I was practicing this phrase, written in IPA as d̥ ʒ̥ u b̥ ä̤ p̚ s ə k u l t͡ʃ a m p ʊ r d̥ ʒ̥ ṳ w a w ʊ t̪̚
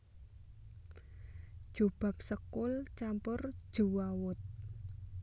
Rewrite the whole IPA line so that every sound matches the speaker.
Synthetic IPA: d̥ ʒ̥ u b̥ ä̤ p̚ s ə k ʊ l t͡ʃ a m p ʊ r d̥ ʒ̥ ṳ w a w ʊ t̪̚

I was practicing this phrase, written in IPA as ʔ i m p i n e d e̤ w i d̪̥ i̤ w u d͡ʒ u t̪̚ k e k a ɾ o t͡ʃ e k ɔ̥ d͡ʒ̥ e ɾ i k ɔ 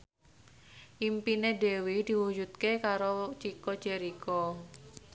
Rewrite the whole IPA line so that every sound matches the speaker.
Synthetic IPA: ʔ i m p i n e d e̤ w i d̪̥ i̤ w u d͡ʒ u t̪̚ k e k a ɾ o t͡ʃ i k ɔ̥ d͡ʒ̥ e ɾ i k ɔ

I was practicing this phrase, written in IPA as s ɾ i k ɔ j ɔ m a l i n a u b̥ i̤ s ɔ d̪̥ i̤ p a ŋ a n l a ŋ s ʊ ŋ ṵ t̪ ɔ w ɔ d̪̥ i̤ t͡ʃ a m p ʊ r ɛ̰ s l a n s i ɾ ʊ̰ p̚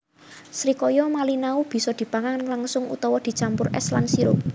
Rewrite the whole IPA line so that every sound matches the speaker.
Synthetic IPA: s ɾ i k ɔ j ɔ m a l i n a u b̥ i̤ s ɔ d̪̥ i̤ p a ŋ a n l a ŋ s ʊ ŋ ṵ t̪ ɔ w ɔ d̪̥ i̤ t͡ʃ a m p ʊ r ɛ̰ s l a n s i ɾ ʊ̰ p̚

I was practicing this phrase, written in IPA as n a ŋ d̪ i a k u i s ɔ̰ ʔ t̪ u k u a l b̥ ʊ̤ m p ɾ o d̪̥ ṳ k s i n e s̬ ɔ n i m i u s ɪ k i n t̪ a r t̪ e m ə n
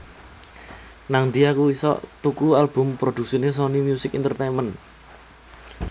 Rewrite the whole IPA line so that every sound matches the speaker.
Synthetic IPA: n a ŋ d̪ i a k u i s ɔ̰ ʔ t̪ u k u a l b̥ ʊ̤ m p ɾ o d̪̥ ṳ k s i n e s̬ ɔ n i m j u s ɪ k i n t̪ ə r t̪ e m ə n

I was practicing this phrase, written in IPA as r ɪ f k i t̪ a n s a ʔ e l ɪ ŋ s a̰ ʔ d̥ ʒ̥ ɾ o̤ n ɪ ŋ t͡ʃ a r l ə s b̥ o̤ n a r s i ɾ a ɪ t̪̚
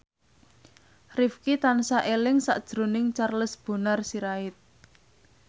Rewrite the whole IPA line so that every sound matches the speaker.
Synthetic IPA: r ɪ f k i t̪ a n s a ʔ e l ɪ ŋ s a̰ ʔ d̥ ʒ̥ ɾ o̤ n ɪ ŋ t͡ʃ a r l ə s b̥ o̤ n a r s i ɾ a ɪ t̪̚

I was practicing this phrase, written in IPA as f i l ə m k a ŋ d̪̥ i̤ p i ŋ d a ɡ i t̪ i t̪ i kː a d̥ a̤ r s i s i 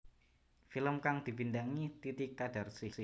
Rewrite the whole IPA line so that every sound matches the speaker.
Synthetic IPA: f i l ə m k a ŋ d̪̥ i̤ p i n d a ŋ i t̪ i t̪ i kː a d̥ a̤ r s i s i

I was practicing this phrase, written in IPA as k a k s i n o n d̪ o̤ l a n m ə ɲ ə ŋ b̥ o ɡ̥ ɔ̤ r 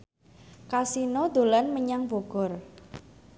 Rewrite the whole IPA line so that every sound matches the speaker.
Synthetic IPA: k a s i n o d̪ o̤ l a n m ə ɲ a ŋ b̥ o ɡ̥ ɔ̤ r

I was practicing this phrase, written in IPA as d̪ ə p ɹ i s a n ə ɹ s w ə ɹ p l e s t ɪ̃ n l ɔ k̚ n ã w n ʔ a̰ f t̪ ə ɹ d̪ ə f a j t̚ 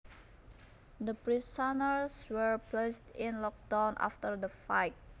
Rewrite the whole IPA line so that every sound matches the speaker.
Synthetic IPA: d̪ ə p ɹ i s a n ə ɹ s w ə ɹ p l e s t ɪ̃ n l ɔ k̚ d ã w n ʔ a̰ f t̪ ə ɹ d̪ ə f a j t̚

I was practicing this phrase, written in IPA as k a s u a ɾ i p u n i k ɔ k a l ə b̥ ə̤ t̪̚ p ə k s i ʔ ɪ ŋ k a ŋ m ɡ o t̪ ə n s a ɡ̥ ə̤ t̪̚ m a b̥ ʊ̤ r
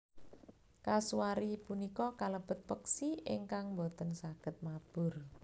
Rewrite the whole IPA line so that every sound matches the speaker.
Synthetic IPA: k a s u a ɾ i p u n i k ɔ k a l ə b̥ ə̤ t̪̚ p ə k s i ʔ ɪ ŋ k a ŋ m b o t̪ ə n s a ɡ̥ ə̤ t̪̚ m a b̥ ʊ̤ r

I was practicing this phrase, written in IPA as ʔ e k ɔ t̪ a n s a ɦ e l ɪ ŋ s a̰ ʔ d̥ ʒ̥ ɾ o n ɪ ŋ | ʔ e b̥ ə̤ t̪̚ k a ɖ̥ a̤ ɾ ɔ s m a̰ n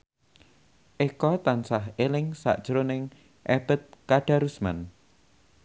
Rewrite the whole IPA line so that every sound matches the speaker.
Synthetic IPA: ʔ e k ɔ t̪ a n s a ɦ e l ɪ ŋ s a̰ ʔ d̥ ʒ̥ ɾ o n ɪ ŋ | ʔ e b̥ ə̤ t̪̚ k a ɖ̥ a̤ ɾ u s m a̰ n

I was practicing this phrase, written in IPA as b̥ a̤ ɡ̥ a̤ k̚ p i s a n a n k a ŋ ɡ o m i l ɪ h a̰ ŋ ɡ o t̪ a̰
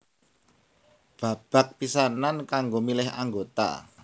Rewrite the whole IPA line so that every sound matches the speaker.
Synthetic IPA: b̥ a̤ b̥ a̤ k̚ p i s a n a n k a ŋ ɡ o m i l ɪ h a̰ ŋ ɡ o t̪ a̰

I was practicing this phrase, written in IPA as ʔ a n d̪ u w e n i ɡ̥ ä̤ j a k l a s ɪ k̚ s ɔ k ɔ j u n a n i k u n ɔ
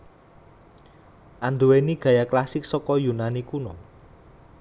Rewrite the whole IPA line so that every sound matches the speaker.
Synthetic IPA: ʔ a n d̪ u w e n i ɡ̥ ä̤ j a k l a s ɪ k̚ s ɔ k ɔ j u n a n i k u n ɔ

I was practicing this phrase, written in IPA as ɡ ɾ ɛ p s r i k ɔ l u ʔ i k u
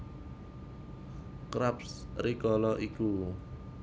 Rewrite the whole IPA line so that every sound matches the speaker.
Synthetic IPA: k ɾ a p s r i k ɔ l ɔ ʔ i k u

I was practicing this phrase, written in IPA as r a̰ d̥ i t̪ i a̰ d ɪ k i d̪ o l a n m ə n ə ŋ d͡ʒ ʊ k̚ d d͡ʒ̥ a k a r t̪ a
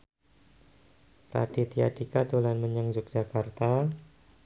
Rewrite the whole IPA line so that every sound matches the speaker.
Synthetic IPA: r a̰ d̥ i t̪ i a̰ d i k a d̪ o l a n m ə ɲ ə ŋ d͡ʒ ʊ k̚ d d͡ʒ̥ a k a r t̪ a

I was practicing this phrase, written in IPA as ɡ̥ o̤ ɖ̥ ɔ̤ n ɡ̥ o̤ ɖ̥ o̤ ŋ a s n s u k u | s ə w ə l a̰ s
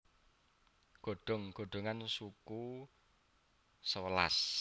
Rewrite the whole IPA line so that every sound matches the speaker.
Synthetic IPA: ɡ̥ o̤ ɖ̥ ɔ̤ ŋ ɡ̥ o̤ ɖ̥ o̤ ŋ a n s u k u | s ə w ə l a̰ s

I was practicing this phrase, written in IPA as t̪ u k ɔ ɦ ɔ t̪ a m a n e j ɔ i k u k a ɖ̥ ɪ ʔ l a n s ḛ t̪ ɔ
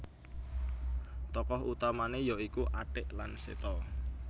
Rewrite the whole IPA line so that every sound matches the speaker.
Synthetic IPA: t̪ ɔ k ɔ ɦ u t̪ a m a n e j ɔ i k u ʔ a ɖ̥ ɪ ʔ l a n s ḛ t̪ ɔ

